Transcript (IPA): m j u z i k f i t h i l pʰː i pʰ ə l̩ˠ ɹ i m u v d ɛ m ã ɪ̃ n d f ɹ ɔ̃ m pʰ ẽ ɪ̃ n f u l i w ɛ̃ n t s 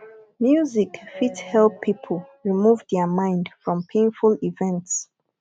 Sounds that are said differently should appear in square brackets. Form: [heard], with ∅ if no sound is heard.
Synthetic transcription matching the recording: m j u z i k f i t h [ɛ] l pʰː i pʰ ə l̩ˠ ɹ i m u v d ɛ m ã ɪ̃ n d f ɹ ɔ̃ m pʰ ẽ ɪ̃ n f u l i [v] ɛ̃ n t s